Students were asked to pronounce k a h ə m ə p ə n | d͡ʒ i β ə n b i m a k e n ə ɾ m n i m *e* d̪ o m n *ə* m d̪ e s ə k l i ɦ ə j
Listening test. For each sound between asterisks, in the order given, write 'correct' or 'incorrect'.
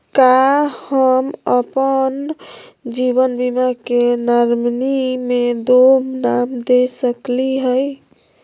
correct, incorrect: a

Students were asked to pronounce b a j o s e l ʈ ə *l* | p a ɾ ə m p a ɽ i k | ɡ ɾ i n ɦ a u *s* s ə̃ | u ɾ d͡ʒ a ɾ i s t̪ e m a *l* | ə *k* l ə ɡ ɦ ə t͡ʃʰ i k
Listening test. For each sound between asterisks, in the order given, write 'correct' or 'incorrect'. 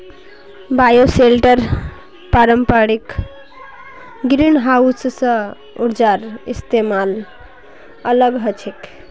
incorrect: ɾ, correct, correct, incorrect: none

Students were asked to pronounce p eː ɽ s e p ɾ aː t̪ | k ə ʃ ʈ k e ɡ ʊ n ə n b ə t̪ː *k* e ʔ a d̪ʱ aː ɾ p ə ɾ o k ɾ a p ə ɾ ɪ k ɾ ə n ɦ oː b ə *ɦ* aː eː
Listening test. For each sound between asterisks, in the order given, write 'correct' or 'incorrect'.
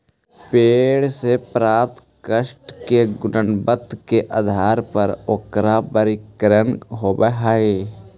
correct, correct

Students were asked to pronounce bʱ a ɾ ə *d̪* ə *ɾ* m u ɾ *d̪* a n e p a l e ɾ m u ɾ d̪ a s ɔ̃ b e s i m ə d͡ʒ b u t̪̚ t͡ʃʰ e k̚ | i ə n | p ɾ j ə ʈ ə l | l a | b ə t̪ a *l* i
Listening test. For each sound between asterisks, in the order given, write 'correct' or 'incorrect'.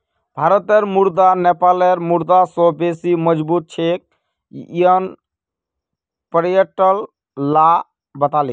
incorrect: t̪, correct, correct, correct

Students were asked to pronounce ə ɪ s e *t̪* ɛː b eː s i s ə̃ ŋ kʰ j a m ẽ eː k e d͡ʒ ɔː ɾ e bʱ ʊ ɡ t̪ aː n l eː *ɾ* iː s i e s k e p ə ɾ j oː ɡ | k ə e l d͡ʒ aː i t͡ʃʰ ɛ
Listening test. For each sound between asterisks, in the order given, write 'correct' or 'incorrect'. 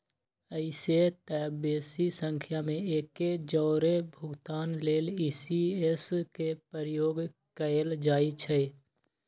correct, incorrect: l

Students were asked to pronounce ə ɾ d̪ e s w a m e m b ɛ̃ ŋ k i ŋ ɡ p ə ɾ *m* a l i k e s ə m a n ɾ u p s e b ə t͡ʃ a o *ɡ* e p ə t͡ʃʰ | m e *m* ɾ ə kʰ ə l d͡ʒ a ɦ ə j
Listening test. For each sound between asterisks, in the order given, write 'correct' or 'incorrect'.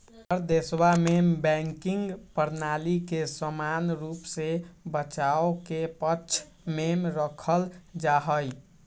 incorrect: n, incorrect: k, correct

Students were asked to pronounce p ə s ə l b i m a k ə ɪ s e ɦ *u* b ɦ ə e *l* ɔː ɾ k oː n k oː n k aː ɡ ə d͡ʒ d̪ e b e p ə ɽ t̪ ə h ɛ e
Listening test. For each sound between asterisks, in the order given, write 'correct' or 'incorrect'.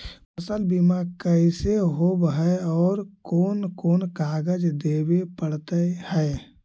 incorrect: o, incorrect: none

